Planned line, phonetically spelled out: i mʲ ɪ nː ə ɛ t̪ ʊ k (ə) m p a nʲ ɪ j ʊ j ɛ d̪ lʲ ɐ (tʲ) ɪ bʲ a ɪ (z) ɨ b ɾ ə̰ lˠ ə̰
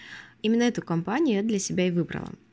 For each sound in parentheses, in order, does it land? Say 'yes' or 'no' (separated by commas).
no, no, no